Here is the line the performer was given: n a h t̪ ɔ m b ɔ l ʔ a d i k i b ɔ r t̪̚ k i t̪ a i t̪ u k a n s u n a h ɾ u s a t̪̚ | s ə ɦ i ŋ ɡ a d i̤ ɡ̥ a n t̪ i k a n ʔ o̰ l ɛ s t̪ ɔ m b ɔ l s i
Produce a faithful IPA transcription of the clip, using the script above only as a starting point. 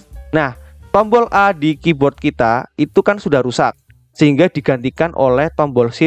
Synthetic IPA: n a h t̪ ɔ m b ɔ l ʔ a d i k i b ɔ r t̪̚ k i t̪ a i t̪ u k a n s u d a h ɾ u s a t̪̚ | s ə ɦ i ŋ ɡ a d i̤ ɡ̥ a n t̪ i k a n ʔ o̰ l ɛ h t̪ ɔ m b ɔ l s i